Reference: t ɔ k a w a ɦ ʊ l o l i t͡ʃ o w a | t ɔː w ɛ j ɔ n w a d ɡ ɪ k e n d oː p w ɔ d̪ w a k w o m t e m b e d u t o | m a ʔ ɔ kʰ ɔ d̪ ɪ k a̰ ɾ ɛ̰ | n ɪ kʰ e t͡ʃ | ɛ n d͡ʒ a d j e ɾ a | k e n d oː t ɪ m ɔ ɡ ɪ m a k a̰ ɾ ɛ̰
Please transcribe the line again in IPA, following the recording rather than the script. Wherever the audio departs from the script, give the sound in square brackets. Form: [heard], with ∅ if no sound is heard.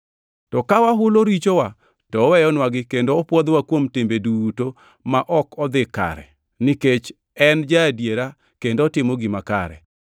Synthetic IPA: t ɔ k a w a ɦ ʊ l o [ɾ] i t͡ʃ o w a | t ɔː w ɛ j ɔ n w a [∅] ɡ ɪ k e n d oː p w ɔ d̪ w a k w o m t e m b e d u t o | m a ʔ ɔ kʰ ɔ d̪ ɪ k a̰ ɾ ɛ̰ | n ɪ [k] e t͡ʃ | ɛ n d͡ʒ a d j e ɾ a | k e n d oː t ɪ m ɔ ɡ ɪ m a k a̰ ɾ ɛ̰